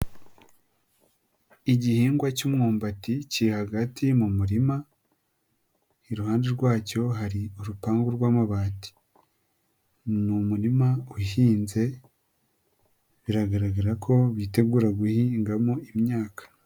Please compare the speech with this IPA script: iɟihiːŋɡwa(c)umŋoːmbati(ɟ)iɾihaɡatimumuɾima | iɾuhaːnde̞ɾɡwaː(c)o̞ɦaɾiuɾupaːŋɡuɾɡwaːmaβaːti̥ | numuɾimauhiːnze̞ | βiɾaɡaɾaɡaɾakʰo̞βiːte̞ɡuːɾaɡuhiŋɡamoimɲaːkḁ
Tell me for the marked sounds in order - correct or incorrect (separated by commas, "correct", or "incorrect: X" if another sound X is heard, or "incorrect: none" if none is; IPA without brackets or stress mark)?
correct, incorrect: c, correct